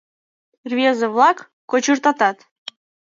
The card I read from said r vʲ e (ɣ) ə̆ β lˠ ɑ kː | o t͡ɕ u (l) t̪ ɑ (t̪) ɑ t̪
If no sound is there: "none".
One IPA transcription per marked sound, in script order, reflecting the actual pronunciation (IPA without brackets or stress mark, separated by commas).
z, r, t̪